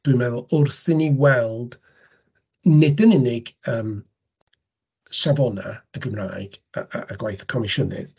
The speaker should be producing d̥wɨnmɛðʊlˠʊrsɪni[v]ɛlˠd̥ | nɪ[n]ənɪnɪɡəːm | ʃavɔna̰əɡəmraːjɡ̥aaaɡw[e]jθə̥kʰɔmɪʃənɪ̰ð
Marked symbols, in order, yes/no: no, no, no

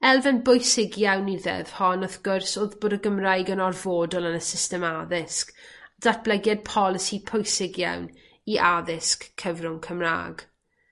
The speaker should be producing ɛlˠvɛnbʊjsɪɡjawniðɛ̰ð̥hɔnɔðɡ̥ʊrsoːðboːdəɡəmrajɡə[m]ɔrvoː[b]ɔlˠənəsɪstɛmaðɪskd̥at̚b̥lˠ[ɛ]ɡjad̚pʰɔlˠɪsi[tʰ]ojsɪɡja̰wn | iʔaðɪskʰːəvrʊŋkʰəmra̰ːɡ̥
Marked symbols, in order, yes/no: no, no, yes, no

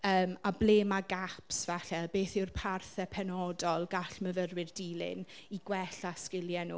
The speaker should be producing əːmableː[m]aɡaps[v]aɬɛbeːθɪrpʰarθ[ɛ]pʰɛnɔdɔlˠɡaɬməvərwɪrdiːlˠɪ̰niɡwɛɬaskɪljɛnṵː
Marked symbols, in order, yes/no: yes, yes, yes

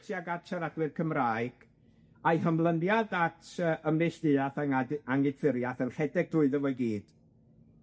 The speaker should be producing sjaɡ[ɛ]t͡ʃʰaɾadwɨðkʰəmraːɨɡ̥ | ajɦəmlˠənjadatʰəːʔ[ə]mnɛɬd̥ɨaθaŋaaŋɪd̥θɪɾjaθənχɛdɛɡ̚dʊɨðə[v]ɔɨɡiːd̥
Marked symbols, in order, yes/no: no, yes, yes

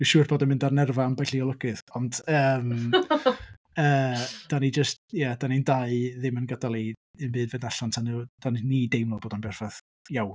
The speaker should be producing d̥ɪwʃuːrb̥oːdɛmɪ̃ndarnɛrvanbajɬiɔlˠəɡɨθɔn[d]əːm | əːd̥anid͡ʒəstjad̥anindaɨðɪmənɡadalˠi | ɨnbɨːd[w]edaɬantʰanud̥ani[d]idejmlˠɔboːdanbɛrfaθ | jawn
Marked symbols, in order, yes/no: yes, no, no

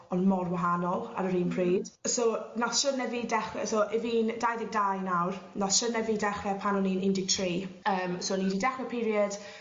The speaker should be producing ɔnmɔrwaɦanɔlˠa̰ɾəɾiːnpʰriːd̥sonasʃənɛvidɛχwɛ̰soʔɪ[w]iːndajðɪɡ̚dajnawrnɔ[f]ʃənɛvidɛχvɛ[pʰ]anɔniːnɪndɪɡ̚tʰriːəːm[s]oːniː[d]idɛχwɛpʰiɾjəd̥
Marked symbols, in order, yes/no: no, no, yes, yes, yes

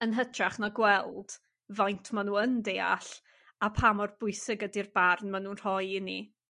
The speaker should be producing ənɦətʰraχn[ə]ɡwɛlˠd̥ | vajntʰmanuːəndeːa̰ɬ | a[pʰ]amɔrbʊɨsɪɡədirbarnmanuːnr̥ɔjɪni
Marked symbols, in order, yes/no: no, yes

